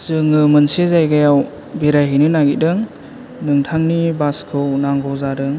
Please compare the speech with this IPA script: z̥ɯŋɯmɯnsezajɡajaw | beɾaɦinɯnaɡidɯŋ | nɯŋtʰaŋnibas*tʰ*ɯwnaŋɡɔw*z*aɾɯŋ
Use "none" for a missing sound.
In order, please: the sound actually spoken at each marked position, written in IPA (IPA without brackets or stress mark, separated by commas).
kʰ, z